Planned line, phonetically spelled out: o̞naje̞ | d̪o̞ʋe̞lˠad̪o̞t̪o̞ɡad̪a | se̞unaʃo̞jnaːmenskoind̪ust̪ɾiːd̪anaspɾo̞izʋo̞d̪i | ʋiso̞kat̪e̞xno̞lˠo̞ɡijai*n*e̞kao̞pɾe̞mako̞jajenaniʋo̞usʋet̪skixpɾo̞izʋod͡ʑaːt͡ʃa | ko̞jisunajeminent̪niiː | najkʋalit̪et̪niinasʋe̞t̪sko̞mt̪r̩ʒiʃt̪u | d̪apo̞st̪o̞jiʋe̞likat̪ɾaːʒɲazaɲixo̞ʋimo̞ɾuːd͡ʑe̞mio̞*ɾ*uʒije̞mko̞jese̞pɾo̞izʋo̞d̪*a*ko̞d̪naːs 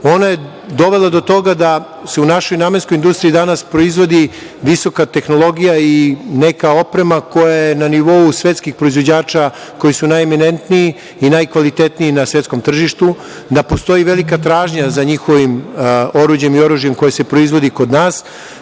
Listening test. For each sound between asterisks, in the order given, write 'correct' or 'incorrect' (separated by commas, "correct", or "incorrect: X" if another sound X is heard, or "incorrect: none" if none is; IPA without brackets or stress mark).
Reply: correct, correct, incorrect: i